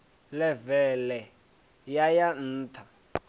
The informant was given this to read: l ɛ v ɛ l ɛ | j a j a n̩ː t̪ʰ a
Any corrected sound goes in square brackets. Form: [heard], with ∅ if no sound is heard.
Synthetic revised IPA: l ɛ v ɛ l ɛ | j a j a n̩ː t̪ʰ a